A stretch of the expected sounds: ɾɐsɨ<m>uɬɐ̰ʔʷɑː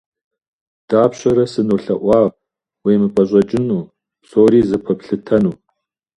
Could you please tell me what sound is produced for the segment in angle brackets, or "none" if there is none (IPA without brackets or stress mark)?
n